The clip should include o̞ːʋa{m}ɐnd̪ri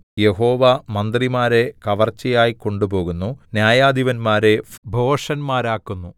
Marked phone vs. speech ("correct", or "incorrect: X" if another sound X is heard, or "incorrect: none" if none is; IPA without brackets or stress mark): correct